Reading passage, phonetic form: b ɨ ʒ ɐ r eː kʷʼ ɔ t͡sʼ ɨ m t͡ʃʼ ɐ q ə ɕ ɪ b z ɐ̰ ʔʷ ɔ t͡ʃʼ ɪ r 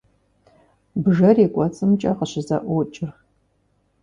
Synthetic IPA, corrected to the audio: b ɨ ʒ ɐ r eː kʷʼ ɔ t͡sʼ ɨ m t͡ʃʼ ɐ q ə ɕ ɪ z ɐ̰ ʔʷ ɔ t͡ʃʼ ɪ r